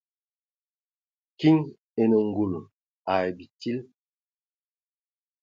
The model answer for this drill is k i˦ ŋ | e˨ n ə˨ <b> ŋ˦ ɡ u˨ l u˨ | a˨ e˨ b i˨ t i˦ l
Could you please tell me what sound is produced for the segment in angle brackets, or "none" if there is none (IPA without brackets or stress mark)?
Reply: none